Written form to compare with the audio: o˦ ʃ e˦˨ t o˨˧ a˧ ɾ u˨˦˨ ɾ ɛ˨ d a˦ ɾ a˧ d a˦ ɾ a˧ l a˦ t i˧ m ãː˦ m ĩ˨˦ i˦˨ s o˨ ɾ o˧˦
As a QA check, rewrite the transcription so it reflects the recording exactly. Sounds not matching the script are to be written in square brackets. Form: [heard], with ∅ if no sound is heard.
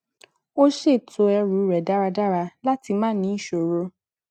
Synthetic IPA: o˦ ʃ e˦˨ t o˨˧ [ɛ˧] ɾ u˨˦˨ ɾ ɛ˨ d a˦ ɾ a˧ d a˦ ɾ a˧ l a˦ t i˧ m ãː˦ [n] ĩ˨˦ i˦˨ [ʃ] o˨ ɾ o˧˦